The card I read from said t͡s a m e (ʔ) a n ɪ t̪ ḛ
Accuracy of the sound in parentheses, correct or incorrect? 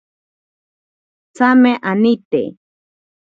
correct